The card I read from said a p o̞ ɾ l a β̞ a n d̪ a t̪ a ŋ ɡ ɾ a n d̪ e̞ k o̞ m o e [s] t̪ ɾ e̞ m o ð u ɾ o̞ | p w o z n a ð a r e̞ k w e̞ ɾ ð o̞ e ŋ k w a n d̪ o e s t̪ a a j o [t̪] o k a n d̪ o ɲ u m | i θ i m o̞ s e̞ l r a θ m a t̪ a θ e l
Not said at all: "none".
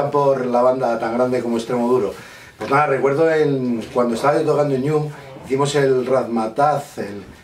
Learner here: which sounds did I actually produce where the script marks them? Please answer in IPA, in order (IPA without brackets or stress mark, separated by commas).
s, t̪